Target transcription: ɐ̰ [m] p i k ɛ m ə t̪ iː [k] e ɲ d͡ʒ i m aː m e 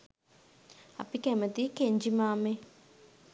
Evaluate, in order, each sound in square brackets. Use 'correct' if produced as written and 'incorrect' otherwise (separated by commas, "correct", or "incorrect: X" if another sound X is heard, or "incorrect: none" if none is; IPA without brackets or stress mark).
incorrect: none, correct